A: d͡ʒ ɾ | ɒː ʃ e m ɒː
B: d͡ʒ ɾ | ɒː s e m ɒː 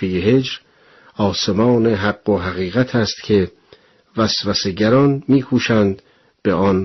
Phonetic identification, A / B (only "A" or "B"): B